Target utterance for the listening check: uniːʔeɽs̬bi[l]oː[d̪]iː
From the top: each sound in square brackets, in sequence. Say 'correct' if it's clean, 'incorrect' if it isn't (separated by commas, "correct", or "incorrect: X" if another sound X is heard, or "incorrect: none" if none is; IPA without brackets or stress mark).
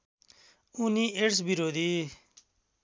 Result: incorrect: ɾ, correct